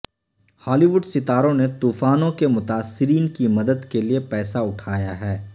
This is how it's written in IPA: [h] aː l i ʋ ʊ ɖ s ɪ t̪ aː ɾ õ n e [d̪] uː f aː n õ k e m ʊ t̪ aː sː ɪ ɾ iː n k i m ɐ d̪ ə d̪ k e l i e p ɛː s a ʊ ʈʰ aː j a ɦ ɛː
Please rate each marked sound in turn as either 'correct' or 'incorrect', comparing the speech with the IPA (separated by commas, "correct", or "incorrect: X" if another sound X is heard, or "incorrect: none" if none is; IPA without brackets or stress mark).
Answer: correct, incorrect: t̪